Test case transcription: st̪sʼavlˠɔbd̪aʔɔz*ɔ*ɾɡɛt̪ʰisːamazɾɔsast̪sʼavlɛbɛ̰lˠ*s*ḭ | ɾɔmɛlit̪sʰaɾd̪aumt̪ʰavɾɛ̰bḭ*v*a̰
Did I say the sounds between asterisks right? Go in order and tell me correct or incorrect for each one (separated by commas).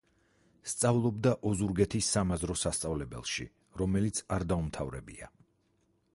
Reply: incorrect, incorrect, incorrect